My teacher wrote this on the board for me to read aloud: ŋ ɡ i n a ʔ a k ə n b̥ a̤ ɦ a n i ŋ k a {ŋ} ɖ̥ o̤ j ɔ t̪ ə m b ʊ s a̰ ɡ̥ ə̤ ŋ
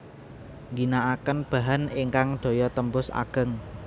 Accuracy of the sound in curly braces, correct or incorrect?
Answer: correct